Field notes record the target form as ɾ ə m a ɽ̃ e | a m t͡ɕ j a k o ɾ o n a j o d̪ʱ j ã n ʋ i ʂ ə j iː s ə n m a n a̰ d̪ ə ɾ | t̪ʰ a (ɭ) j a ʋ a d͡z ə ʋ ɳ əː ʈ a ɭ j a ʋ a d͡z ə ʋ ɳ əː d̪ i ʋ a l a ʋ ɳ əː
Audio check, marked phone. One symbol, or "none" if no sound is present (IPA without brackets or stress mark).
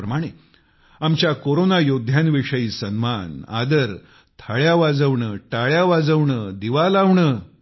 ɭ